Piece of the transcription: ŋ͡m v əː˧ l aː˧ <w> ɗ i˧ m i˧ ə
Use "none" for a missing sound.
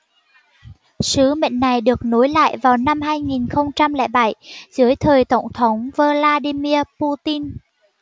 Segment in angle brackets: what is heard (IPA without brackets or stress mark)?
none